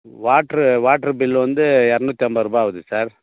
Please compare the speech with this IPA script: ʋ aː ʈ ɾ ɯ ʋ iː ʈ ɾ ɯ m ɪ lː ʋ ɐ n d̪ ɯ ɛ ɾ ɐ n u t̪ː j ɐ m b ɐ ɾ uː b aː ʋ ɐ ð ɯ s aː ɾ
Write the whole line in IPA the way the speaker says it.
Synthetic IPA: ʋ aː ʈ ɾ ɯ ʋ aː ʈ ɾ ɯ b ɪ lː ʋ ɐ n d̪ ɯ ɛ ɾ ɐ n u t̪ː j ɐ m b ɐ ɾ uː b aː ʋ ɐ ð ɯ s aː ɾ

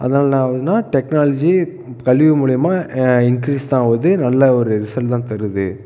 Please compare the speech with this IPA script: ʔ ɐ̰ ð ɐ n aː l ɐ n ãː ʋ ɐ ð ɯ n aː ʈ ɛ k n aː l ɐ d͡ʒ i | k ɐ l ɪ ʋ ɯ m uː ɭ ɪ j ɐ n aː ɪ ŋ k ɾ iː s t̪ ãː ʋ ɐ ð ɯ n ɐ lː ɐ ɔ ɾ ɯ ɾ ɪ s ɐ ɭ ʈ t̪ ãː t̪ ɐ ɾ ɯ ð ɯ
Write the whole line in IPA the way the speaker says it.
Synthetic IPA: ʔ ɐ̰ ð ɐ n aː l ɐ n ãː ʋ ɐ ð ɯ n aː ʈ ɛ k n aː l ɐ d͡ʒ i | k ɐ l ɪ ʋ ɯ m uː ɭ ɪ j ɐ m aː ɪ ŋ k ɾ iː s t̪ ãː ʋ ɐ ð ɯ n ɐ lː ɐ ɔ ɾ ɯ ɾ ɪ s ɐ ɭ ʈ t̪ ãː t̪ ɐ ɾ ɯ ð ɯ

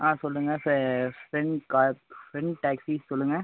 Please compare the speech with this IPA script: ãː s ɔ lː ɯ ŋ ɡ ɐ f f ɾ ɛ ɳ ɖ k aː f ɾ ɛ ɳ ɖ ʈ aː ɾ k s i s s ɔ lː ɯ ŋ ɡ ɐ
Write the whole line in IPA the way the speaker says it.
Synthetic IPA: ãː s ɔ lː ɯ ŋ ɡ ɐ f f ɾ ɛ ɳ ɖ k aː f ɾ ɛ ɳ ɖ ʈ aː k s i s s ɔ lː ɯ ŋ ɡ ɐ

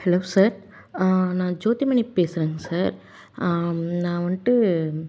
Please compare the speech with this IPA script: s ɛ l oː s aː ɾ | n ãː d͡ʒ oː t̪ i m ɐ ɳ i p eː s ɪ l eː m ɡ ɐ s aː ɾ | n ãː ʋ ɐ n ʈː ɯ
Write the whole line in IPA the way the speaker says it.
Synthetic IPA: h ɛ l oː s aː ɾ | n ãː d͡ʒ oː t̪ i m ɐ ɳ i p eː s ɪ ɾ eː ŋ ɡ ɐ s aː ɾ | n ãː ʋ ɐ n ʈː ɯ

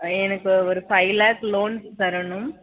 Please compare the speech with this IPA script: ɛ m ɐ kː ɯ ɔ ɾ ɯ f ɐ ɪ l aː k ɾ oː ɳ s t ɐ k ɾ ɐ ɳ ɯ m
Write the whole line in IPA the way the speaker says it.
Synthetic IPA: ɛ n ɐ kː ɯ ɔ ɾ ɯ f ɐ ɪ l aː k l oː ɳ s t ɐ ɾ ɐ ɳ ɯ m

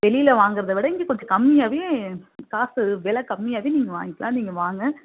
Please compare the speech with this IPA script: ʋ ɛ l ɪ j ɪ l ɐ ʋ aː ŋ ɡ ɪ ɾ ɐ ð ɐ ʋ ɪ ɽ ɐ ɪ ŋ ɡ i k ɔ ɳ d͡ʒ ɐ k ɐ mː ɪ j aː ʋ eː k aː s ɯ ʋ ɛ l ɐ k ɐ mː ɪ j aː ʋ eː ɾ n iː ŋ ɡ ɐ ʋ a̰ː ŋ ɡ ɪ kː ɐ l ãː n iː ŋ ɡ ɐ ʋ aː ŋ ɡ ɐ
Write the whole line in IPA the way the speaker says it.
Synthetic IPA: ʋ ɛ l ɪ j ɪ l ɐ ʋ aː ŋ ɡ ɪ ɾ ɐ ð ɐ ʋ ɪ ɽ ɐ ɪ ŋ ɡ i k ɔ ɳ d͡ʒ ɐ k ɐ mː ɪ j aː ʋ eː k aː s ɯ ʋ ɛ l ɐ k ɐ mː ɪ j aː ʋ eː n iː ŋ ɡ ɐ ʋ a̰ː ŋ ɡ ɪ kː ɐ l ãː n iː ŋ ɡ ɐ ʋ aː ŋ ɡ ɐ

